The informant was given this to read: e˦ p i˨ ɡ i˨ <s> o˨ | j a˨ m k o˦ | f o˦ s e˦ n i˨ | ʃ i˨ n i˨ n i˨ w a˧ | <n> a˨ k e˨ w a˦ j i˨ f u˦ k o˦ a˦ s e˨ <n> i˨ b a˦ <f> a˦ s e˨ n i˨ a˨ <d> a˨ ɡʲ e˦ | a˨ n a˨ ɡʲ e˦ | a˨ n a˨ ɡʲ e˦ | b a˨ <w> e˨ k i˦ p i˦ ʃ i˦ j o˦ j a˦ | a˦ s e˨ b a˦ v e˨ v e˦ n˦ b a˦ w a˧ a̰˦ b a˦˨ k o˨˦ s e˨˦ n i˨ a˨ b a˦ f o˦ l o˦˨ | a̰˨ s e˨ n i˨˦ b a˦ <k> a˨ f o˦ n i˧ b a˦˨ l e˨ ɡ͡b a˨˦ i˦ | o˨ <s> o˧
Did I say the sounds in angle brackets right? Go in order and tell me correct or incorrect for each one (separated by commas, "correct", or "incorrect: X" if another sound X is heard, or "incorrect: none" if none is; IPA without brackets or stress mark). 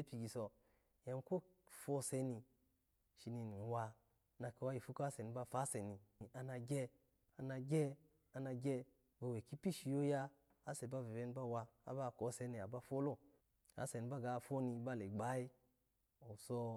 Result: correct, correct, correct, correct, incorrect: n, correct, incorrect: ɡ, correct